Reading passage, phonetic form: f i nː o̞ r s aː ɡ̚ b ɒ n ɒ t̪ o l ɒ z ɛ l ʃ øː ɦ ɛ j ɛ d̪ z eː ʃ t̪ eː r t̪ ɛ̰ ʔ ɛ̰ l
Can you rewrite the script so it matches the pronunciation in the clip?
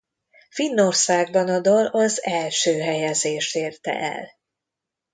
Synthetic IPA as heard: f i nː o̞ r s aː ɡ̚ b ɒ n ɒ d̪ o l ɒ z ɛ l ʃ øː ɦ ɛ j ɛ z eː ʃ t̪ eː r t̪ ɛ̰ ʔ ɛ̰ l